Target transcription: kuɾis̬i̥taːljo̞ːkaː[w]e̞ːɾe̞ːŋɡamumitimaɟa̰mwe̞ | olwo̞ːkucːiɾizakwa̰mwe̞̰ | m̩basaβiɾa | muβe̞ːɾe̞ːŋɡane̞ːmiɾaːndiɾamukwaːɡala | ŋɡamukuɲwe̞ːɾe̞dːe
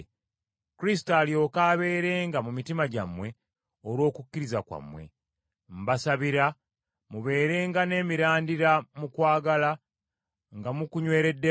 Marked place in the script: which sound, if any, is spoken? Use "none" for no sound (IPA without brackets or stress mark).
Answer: β